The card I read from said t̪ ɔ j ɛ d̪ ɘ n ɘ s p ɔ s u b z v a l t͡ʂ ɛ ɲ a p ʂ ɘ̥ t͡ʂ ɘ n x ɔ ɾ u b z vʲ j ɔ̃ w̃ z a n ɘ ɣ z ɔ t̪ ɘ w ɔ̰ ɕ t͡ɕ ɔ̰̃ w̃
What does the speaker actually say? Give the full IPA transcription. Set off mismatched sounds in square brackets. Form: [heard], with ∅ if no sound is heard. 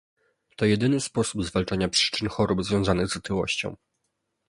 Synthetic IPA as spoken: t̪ ɔ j ɛ d̪ ɘ n ɘ s p ɔ s u b z v a l t͡ʂ [a] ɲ a p ʂ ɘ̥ t͡ʂ ɘ n x ɔ ɾ u b z vʲ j ɔ̃ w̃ z a n ɘ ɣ z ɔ t̪ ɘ w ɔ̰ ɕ t͡ɕ ɔ̰̃ w̃